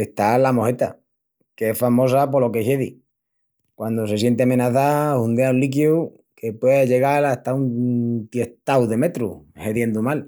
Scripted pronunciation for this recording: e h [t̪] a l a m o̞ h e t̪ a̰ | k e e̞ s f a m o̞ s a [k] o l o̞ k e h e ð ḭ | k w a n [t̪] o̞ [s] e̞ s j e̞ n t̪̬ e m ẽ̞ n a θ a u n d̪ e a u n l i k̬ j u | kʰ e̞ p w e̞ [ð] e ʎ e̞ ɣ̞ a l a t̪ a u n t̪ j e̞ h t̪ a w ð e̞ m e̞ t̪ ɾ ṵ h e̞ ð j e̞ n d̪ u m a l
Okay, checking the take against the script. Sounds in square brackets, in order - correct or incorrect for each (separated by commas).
correct, incorrect, incorrect, correct, correct